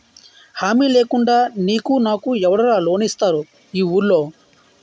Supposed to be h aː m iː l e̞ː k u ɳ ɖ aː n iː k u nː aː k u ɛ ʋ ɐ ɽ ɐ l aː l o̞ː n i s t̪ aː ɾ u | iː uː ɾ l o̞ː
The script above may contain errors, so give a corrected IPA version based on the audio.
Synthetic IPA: h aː m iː l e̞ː k u ɳ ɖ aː n iː k u n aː k u ɛ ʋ ɐ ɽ ɐ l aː l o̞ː n i s t̪ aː ɾ u | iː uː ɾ l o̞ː